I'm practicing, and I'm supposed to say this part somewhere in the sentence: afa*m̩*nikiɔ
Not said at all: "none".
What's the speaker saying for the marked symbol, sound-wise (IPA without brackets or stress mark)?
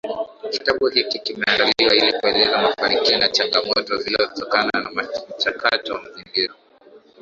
none